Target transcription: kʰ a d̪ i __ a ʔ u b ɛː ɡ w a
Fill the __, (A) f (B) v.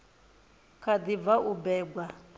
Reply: B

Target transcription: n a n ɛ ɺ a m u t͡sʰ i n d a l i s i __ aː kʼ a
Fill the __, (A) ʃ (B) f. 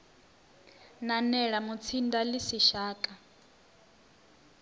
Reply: A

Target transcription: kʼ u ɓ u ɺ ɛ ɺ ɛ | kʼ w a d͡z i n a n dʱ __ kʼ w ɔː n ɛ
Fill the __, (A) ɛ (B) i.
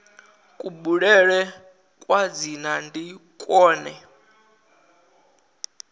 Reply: B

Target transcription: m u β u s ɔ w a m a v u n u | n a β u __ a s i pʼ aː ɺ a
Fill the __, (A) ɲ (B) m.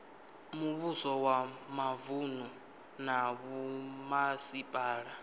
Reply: B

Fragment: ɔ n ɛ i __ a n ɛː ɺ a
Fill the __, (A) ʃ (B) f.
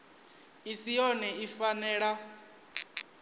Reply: B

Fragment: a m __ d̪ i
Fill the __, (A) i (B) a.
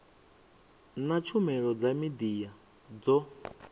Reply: A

